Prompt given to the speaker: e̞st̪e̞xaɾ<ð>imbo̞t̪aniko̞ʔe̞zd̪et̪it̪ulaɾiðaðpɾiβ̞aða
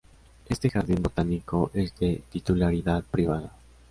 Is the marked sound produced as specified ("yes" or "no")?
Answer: yes